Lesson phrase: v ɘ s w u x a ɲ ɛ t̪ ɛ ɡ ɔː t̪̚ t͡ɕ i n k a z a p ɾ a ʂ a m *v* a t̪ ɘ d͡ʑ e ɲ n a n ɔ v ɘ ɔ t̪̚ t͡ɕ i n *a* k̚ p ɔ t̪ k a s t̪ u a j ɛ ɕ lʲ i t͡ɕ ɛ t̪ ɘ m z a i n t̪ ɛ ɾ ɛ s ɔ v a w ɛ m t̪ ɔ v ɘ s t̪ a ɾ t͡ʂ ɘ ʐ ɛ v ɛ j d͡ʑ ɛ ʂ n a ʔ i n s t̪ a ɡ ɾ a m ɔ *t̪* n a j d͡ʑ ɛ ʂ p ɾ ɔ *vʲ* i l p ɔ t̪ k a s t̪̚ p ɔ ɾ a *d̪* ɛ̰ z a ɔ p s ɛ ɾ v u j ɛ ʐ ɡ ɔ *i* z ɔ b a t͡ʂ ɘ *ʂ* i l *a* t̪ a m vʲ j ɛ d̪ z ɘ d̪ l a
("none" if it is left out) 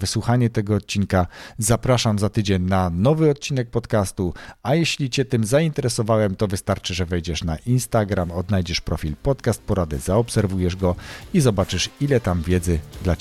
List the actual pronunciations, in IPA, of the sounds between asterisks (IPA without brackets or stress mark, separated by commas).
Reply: z, ɛ, d̪, fʲ, d̪, i, ʂ, ɛ